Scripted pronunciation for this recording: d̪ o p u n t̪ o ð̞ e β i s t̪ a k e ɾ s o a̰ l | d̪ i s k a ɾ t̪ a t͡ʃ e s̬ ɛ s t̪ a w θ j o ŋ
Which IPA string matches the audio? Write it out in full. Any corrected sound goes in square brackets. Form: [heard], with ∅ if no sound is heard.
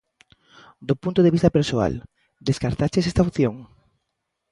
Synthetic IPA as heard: d̪ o p u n t̪ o ð̞ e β i s t̪ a [p] e ɾ s o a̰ l | d̪ [e] s k a ɾ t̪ a t͡ʃ e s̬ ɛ s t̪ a w θ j o ŋ